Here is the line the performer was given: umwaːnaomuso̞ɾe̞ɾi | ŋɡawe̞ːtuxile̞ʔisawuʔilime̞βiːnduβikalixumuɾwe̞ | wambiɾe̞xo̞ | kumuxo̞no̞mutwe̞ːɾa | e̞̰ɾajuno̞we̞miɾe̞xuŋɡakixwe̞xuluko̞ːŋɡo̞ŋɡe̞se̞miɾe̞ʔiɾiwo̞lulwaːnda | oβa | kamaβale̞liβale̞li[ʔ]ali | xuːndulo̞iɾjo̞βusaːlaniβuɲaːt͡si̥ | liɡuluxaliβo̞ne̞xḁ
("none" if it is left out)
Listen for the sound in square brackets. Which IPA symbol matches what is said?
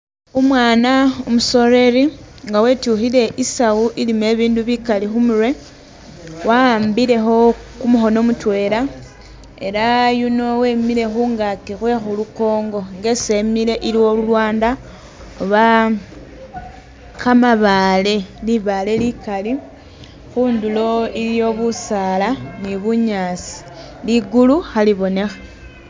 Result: k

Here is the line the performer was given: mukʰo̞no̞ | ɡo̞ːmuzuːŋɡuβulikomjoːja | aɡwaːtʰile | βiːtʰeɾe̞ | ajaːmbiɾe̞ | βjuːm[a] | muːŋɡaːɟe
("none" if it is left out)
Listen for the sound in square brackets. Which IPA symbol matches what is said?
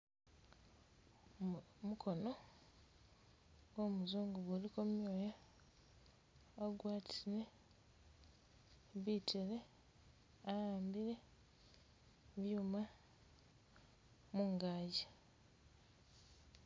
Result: a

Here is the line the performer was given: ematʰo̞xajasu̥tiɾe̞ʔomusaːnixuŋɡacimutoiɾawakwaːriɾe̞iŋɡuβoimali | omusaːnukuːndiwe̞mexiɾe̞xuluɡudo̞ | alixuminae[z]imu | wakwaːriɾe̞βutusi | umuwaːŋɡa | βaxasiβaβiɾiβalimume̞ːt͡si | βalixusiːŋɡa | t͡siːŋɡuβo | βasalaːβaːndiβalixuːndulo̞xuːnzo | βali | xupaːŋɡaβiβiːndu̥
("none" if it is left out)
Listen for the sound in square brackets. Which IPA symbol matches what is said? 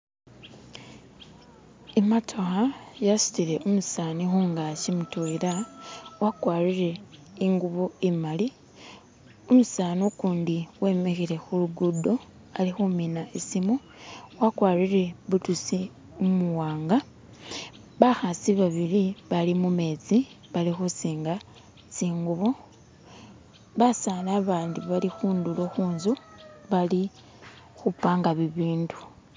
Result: s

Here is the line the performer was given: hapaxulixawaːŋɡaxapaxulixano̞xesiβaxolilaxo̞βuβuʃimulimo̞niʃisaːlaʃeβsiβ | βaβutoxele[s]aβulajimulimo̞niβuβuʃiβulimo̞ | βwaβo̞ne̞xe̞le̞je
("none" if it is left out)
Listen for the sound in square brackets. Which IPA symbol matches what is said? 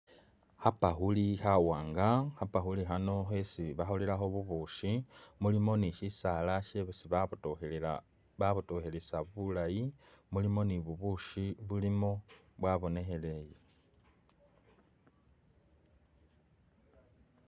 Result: s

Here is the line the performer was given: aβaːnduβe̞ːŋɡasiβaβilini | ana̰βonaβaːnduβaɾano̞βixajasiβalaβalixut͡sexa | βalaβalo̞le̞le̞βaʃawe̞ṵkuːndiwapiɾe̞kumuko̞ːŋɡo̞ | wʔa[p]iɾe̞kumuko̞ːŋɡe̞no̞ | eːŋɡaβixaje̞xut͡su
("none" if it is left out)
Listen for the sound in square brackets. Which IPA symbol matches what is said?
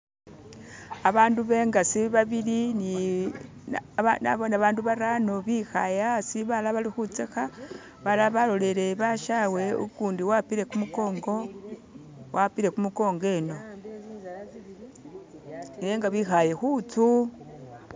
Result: p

